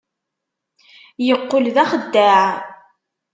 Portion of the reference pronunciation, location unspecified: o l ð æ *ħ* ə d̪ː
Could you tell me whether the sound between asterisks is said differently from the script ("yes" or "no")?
yes